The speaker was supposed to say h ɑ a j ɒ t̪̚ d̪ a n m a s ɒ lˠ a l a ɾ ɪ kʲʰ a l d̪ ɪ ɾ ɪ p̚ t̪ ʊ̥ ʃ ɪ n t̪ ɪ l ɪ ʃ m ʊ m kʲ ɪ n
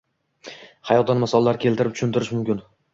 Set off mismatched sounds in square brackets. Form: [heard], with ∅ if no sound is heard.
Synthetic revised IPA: h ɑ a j ɒ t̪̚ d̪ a n m a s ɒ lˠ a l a ɾ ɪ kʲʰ [e] l [t̪] ɪ ɾ ɪ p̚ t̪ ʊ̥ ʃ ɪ n t̪ ɪ [ɾ] ɪ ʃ m ʊ m kʲ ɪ n